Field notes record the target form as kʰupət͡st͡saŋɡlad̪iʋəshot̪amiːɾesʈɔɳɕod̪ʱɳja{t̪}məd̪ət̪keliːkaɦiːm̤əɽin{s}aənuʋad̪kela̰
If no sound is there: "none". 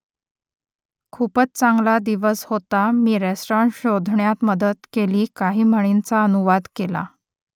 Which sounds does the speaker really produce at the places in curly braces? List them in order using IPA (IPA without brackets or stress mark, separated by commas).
t̪, t͡s